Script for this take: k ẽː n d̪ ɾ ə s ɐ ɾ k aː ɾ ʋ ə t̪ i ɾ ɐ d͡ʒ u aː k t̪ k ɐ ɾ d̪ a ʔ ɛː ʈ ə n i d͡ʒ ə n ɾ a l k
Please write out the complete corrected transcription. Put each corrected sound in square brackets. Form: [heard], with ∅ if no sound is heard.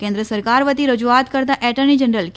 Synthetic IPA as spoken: k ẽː n d̪ ɾ ə s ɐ ɾ k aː ɾ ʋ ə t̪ i ɾ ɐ d͡ʒ u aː [∅] t̪ k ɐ ɾ d̪ a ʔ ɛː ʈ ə n i d͡ʒ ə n ɾ [ə] l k